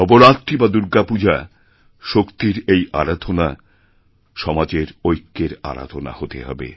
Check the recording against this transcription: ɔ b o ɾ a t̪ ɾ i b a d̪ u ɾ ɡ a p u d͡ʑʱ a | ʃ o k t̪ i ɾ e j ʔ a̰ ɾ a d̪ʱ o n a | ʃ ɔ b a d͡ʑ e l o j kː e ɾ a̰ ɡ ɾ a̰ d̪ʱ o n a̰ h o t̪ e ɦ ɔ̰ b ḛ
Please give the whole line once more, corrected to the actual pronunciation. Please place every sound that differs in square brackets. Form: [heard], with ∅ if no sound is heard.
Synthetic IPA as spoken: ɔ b o ɾ a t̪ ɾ i b a d̪ u ɾ ɡ a p u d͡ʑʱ a | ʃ o k t̪ i ɾ e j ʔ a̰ ɾ a d̪ʱ o n a | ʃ ɔ [m] a d͡ʑ e [ɾ] o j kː e ɾ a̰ [∅] ɾ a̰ d̪ʱ o n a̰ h o t̪ e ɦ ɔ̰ b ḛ